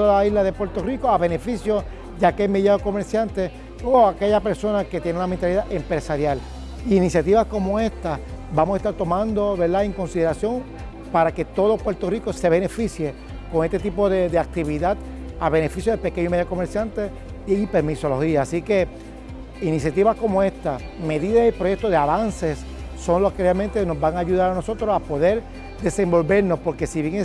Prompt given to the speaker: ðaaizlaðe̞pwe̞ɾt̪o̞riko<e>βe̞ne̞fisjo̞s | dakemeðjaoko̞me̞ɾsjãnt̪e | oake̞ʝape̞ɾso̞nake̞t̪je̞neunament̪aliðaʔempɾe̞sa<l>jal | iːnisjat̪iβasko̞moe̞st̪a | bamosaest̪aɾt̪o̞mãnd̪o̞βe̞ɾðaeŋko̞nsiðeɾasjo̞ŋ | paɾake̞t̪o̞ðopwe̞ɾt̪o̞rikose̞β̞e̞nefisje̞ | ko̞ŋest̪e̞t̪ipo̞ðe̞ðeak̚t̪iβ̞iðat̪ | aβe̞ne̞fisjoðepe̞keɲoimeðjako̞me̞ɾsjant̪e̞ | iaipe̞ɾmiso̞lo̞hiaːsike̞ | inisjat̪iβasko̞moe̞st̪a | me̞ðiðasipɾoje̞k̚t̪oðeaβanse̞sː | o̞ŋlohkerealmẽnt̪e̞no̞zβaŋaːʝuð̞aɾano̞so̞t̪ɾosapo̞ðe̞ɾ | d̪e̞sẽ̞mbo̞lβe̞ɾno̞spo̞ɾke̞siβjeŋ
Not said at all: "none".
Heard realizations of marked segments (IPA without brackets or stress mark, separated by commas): a, ɾ